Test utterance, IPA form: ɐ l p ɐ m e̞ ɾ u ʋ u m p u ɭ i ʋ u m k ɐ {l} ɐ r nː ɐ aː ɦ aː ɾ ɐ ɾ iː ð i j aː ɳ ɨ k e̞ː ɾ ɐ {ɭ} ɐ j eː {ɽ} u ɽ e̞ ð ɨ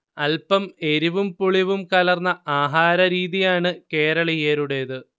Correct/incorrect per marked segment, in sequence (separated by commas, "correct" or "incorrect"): correct, correct, incorrect